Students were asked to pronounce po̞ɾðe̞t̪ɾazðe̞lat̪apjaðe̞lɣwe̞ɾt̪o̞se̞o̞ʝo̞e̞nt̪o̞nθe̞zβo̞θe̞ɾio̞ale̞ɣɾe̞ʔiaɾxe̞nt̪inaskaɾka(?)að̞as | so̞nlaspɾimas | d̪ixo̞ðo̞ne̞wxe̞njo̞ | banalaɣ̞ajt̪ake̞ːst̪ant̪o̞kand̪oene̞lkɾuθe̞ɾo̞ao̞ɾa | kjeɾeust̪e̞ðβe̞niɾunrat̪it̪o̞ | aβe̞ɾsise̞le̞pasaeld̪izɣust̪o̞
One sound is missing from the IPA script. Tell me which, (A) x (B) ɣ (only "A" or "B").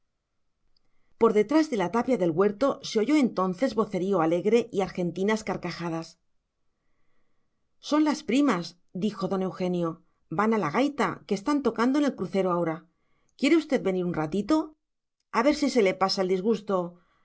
A